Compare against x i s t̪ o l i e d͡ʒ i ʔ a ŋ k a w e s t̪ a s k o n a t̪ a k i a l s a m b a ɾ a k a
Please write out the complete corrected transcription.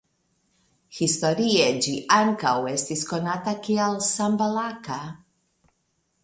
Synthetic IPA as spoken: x i s t̪ o ɾ i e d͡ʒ i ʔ a ŋ k a w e s t̪ i s k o n a t̪ a k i a l s a m b a l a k a